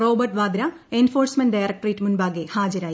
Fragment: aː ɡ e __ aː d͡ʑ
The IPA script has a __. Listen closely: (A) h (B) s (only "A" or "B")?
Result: A